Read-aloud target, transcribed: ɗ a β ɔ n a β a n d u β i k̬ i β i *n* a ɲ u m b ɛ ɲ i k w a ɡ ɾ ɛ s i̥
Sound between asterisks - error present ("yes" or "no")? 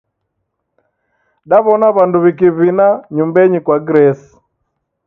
no